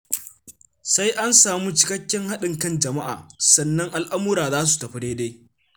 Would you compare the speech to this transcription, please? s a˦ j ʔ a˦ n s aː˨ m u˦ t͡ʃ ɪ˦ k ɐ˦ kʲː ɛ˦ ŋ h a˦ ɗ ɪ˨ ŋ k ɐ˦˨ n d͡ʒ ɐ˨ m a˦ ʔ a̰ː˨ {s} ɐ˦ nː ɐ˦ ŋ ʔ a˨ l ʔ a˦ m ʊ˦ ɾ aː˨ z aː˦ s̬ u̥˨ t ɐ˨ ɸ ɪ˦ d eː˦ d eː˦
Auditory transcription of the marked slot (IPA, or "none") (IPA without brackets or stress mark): s